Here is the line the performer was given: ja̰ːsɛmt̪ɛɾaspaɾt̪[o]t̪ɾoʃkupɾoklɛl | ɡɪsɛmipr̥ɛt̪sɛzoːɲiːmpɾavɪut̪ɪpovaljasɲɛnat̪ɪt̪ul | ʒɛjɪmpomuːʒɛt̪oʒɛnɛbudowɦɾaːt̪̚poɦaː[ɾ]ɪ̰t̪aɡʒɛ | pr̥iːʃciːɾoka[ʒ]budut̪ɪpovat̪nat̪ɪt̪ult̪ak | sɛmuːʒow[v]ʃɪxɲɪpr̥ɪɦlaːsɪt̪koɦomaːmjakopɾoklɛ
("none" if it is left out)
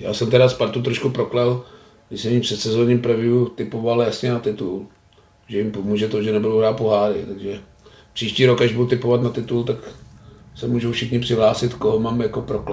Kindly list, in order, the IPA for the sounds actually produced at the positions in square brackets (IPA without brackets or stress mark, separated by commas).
u, ɾ, ʒ, f